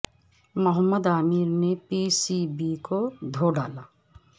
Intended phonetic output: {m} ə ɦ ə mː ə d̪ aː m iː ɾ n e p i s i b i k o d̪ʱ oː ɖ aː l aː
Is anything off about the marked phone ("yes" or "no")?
no